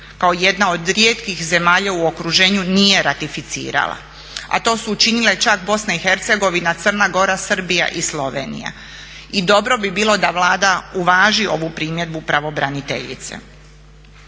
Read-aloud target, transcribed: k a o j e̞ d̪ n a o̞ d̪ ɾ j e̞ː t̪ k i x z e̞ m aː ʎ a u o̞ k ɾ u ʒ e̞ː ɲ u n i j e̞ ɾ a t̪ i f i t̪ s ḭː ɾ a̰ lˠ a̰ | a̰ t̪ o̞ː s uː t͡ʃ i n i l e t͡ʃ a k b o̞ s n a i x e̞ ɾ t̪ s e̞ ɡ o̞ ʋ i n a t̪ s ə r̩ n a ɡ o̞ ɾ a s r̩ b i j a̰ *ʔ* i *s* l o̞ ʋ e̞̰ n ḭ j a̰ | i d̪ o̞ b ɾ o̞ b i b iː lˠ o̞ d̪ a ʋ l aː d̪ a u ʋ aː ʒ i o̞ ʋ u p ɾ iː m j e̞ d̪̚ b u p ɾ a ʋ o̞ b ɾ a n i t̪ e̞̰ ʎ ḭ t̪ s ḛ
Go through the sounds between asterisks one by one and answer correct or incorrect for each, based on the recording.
correct, correct

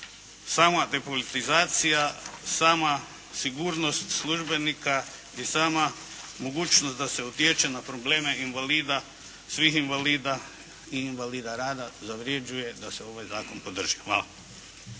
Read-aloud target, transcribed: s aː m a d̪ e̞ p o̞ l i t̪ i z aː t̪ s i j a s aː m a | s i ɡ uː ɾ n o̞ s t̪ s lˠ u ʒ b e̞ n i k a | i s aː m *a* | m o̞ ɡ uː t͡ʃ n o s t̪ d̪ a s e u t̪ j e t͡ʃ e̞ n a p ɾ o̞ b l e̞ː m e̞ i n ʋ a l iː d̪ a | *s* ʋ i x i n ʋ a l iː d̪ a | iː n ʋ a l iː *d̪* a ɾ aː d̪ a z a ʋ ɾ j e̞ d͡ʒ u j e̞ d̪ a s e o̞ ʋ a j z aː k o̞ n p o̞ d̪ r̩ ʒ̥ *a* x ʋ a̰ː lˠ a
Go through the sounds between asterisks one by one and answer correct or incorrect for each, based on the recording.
correct, correct, correct, incorrect

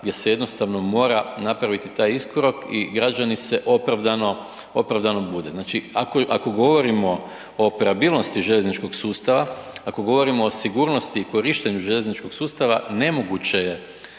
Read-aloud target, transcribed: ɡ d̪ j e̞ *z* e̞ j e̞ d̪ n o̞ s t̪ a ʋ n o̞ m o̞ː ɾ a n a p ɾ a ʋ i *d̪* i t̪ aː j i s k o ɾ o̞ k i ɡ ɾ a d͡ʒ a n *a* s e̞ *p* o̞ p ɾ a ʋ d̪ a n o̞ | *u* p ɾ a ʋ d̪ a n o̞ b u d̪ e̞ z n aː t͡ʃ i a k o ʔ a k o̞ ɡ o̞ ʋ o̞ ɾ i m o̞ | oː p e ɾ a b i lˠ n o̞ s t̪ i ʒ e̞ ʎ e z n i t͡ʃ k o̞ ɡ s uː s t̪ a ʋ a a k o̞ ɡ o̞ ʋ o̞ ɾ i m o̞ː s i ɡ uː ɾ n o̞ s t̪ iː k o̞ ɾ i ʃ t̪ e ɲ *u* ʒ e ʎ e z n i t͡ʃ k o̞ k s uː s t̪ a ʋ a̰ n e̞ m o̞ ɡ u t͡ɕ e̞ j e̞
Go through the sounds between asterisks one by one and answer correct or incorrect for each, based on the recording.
incorrect, incorrect, incorrect, incorrect, incorrect, correct

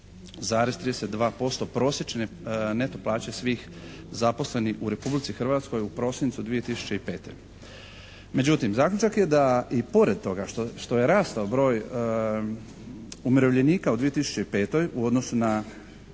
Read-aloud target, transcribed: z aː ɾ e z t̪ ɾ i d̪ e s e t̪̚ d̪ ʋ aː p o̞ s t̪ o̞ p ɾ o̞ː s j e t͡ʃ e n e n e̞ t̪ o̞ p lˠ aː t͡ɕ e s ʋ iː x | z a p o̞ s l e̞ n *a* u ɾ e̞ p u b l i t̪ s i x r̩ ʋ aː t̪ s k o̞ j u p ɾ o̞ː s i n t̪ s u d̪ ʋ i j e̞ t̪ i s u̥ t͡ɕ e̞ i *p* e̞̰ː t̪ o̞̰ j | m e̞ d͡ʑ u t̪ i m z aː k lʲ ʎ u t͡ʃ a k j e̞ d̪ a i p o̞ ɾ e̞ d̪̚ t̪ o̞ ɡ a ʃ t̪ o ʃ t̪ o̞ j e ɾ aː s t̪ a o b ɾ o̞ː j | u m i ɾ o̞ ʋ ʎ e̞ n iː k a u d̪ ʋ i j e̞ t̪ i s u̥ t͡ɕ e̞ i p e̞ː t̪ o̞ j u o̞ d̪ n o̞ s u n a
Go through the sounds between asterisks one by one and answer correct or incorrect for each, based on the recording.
incorrect, correct

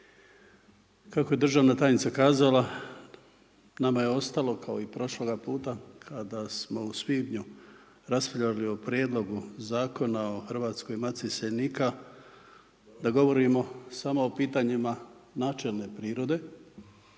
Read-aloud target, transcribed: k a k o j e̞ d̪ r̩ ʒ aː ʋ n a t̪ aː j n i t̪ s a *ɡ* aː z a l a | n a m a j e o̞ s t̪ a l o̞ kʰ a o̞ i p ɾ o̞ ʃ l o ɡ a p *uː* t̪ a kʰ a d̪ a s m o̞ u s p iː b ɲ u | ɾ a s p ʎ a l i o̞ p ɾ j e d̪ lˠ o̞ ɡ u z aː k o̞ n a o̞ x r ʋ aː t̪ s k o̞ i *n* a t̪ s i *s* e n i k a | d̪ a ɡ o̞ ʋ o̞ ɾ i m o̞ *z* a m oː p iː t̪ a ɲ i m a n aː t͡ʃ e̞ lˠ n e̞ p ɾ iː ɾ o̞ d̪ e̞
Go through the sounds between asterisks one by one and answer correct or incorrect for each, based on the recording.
incorrect, correct, incorrect, correct, incorrect

